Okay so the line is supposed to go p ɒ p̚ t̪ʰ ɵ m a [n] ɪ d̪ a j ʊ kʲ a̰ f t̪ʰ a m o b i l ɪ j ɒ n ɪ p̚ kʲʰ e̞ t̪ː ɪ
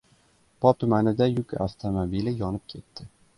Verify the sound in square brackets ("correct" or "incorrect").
correct